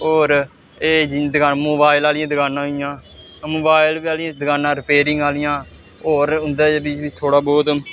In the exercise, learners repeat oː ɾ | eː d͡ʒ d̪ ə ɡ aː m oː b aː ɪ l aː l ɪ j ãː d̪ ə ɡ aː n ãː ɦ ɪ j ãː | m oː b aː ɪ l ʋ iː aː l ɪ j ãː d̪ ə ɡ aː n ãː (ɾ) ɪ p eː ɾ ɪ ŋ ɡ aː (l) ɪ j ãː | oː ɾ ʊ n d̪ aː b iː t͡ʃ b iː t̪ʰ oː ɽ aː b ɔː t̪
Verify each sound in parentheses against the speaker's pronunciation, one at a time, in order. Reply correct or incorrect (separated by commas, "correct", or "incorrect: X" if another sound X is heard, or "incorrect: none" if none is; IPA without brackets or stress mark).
correct, correct